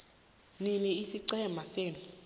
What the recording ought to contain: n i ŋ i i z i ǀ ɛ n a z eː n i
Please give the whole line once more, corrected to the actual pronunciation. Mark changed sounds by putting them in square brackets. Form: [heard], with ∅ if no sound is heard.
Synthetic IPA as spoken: n i [n] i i [s] i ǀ ɛ [m] a [s] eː n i